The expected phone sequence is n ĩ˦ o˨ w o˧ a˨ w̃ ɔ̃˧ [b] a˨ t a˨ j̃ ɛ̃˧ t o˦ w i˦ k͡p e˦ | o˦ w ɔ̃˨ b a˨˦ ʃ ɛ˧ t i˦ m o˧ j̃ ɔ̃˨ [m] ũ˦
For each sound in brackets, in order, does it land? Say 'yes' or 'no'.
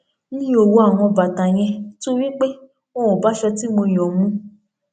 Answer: yes, yes

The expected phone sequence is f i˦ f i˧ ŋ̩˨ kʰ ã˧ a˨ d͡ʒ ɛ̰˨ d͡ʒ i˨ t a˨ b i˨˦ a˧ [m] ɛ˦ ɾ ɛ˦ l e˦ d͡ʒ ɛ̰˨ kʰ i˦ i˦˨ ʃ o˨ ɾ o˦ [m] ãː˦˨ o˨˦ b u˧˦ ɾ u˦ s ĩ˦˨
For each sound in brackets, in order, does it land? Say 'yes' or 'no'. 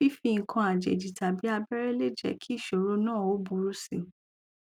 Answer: no, no

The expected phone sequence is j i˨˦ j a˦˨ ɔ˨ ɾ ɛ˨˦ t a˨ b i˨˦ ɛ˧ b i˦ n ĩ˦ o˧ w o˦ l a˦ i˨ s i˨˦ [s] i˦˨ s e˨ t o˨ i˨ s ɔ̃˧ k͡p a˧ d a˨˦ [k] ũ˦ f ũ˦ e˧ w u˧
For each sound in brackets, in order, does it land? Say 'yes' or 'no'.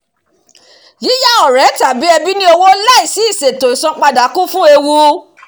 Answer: no, yes

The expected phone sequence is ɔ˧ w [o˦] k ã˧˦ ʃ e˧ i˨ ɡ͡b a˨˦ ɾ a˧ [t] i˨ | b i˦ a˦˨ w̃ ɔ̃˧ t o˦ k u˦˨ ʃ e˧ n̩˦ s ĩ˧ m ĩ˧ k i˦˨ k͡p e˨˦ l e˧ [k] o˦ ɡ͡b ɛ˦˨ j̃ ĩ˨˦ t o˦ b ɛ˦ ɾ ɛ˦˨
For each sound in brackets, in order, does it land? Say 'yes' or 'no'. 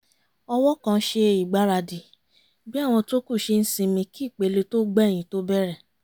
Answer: no, no, no

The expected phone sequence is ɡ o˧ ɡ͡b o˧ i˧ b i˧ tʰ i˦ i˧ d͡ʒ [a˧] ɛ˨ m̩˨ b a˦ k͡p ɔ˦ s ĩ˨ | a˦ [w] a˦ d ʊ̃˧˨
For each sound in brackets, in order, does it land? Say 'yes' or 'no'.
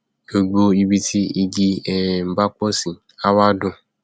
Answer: no, yes

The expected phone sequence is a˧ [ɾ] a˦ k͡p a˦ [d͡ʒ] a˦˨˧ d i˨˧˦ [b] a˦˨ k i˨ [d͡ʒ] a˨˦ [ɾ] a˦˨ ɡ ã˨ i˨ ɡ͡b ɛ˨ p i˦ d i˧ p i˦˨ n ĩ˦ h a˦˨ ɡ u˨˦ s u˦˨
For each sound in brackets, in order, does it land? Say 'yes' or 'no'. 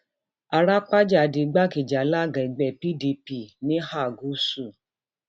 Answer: yes, yes, no, yes, no

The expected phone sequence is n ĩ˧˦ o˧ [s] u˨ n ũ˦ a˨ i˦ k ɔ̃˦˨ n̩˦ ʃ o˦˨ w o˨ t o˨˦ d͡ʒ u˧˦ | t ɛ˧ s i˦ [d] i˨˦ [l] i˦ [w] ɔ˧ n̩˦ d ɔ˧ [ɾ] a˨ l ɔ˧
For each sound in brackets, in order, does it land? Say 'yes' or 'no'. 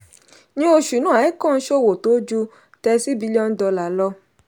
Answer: no, no, yes, no, no

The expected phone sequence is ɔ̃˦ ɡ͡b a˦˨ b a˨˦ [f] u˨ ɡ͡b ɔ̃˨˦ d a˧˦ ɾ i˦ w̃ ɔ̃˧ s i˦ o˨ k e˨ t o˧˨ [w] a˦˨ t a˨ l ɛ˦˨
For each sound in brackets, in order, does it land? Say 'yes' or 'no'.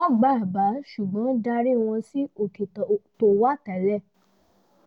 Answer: no, yes

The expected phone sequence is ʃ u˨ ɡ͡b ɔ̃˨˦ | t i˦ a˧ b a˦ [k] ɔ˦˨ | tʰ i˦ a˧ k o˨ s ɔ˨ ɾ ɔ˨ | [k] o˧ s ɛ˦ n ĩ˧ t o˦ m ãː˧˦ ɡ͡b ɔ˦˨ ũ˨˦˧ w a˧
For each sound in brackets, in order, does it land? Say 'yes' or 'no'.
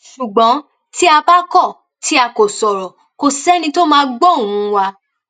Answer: yes, yes

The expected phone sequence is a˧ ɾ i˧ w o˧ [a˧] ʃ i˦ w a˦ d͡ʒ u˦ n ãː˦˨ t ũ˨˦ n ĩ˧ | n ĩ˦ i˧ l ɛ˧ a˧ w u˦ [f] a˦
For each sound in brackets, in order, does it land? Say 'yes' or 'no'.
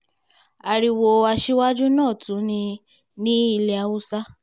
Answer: yes, no

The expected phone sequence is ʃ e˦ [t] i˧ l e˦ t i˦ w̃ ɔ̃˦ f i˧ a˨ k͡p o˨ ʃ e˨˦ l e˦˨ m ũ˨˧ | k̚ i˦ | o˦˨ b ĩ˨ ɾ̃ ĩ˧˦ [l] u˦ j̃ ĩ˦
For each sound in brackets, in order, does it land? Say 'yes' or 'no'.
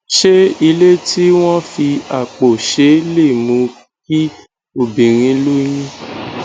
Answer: no, yes

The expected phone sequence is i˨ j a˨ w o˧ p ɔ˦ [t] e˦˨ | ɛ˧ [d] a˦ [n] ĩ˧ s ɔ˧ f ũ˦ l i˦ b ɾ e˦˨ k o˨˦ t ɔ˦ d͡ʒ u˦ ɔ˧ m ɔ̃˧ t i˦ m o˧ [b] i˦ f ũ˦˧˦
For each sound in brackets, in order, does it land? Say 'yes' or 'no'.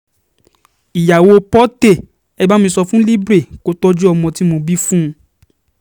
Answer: yes, no, no, yes

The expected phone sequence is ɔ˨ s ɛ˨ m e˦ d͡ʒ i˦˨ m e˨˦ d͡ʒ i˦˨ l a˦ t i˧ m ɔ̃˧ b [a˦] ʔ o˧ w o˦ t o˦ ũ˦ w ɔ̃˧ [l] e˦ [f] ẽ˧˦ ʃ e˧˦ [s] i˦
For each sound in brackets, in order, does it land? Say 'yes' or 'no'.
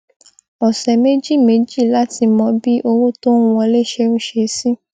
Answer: no, yes, no, yes

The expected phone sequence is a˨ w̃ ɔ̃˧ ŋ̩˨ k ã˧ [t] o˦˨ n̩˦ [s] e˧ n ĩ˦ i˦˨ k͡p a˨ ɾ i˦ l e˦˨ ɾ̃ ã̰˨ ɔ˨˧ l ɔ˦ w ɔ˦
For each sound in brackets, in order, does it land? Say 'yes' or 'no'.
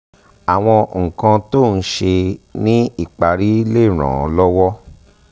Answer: yes, no

